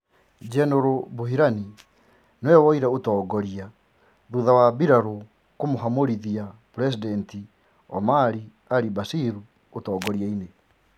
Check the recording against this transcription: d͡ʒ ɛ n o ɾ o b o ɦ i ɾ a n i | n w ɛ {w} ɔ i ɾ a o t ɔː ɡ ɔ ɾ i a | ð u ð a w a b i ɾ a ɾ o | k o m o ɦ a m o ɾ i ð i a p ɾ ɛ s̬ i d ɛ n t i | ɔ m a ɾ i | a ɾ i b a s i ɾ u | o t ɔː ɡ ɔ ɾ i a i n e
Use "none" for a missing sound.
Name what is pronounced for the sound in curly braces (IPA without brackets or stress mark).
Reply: w